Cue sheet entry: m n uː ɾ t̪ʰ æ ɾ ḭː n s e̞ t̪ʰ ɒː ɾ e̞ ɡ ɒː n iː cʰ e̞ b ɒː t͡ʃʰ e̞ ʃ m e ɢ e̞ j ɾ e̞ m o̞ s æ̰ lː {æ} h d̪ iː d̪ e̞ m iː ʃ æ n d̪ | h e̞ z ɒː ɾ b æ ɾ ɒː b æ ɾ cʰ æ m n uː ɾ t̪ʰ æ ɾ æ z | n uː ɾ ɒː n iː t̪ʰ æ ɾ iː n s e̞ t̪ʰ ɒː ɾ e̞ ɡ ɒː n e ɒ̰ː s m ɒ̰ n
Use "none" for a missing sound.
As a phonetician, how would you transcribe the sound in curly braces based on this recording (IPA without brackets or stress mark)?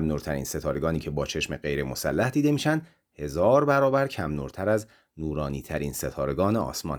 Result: æ